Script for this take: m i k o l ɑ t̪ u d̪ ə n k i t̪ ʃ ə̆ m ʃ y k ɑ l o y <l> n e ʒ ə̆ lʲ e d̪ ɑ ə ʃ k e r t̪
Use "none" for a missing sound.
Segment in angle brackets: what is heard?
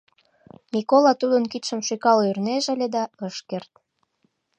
r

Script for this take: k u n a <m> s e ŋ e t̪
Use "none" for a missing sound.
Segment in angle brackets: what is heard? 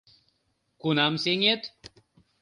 m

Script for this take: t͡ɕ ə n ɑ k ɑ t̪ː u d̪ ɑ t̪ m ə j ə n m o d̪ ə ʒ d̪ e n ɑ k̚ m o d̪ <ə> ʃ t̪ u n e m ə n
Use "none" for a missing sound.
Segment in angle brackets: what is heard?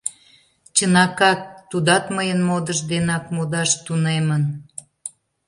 ɑ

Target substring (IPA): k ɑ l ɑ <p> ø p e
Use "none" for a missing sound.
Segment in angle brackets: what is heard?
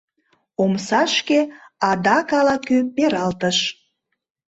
k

